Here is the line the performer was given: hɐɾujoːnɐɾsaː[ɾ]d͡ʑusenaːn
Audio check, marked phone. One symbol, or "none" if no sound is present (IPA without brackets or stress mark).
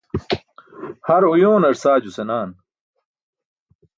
none